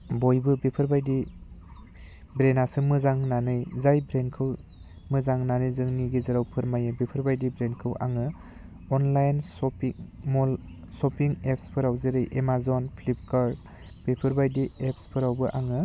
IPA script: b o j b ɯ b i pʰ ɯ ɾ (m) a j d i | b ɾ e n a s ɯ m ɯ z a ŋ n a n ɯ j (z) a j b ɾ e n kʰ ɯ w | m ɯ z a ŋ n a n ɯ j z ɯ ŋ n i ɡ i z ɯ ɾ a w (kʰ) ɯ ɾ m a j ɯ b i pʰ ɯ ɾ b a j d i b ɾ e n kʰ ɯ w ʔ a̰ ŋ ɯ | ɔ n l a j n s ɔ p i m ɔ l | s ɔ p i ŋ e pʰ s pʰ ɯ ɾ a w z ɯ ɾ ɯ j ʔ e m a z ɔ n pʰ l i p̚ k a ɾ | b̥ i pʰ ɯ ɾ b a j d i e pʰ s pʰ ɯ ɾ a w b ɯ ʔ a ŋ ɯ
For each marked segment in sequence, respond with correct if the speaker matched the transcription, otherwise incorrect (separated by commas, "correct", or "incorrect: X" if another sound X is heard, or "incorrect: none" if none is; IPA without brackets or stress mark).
incorrect: b, correct, incorrect: pʰ